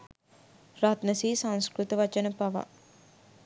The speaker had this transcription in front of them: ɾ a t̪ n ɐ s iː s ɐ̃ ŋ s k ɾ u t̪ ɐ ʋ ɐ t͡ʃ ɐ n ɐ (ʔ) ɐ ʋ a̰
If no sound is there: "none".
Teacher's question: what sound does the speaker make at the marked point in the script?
p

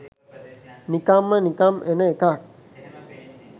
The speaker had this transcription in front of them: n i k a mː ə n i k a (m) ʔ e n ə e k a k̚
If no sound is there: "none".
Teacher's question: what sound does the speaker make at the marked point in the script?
m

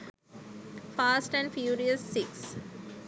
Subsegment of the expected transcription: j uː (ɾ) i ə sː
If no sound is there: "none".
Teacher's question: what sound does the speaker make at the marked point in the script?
ɾ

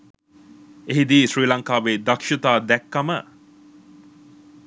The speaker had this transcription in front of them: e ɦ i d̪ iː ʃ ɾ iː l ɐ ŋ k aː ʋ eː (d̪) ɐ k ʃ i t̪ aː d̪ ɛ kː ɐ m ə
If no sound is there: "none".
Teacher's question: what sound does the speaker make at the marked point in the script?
d̪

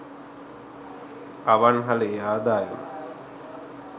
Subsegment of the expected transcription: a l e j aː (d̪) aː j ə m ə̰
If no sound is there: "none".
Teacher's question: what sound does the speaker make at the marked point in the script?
d̪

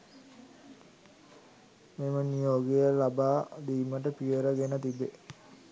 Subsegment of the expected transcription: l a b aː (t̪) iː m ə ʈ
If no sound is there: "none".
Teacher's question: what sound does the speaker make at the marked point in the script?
d̪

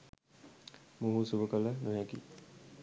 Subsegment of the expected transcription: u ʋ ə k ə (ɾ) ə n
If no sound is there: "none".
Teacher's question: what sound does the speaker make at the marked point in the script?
l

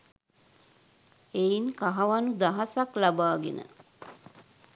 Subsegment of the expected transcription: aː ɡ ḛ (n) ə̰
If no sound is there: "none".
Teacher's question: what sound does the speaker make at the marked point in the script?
n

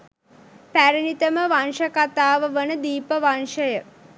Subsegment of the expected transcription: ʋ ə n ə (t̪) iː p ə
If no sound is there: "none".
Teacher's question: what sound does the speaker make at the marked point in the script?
d̪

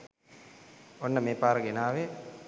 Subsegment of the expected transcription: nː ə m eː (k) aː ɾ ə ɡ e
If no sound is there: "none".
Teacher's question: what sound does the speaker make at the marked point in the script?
p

